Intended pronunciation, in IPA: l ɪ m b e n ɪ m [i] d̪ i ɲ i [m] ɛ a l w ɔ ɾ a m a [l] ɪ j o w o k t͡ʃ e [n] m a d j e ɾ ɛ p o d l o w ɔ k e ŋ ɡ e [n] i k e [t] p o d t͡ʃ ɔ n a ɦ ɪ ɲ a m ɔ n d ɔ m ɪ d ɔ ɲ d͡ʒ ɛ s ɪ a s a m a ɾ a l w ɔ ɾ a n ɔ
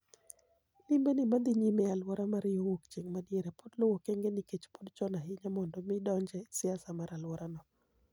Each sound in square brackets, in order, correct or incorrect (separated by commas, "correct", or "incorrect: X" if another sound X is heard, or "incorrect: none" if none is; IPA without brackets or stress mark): incorrect: a, correct, incorrect: ɾ, incorrect: ŋ, correct, incorrect: t͡ʃ